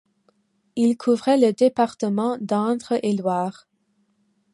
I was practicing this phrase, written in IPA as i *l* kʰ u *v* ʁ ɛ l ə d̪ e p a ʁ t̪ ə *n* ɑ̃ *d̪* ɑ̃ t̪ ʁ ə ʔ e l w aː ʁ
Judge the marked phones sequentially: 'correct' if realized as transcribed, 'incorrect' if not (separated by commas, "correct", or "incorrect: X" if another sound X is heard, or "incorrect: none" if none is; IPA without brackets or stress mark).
correct, correct, incorrect: m, correct